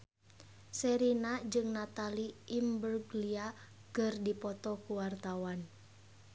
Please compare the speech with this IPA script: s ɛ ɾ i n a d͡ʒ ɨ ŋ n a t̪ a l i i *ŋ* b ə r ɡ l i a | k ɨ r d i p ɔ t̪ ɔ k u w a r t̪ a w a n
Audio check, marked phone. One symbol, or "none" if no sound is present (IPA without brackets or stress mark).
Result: m